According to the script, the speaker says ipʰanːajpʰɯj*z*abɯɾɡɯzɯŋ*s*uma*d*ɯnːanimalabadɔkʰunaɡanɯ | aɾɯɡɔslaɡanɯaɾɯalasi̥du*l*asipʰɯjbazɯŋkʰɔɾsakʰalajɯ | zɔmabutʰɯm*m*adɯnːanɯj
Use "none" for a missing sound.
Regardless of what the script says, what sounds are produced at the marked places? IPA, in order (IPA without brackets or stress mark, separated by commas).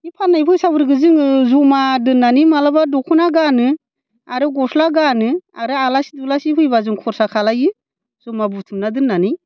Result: s, z, d, l, n